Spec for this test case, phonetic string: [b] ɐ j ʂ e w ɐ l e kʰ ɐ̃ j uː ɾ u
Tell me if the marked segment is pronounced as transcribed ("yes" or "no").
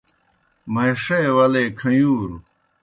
no